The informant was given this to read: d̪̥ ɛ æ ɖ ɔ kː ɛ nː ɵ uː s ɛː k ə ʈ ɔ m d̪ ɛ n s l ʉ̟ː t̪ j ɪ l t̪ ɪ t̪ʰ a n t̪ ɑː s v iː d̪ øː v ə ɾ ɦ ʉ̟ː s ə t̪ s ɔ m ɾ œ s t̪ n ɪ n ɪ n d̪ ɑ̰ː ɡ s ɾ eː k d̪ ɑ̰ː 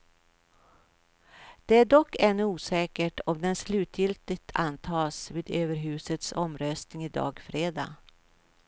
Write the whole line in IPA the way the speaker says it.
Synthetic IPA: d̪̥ ɛ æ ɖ ɔ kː ɛ nː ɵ uː s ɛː k ə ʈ ɔ m d̪ ɛ n s l ʉ̟ː t̪ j ɪ l t̪ ɪ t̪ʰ a n t̪ʰ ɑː s v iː d̪ øː v ə ɾ ɦ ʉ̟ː s ə t̪ s ɔ m ɾ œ s t̪ n ɪ ŋ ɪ d̪ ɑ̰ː ɡ f ɾ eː d̪ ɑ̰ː